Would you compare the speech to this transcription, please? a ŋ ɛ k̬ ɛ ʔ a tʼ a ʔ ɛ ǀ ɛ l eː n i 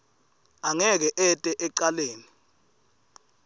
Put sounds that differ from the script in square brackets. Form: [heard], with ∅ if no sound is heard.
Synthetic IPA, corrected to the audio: a ŋ ɛ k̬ ɛ ʔ [ɛ] tʼ [ɛ] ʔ ɛ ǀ [a] l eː n i